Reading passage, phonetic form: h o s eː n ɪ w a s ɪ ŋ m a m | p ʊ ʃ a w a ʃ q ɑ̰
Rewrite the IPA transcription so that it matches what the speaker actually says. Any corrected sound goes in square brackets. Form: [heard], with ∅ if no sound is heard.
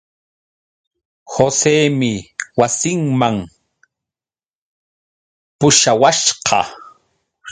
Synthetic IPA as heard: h o s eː [m] ɪ w a s ɪ ŋ m a [ŋ] | p ʊ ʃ a w a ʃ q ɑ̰